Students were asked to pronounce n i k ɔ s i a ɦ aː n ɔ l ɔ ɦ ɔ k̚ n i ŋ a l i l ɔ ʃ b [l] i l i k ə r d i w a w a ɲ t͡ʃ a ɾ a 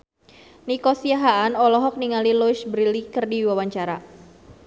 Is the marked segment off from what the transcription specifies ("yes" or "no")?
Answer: yes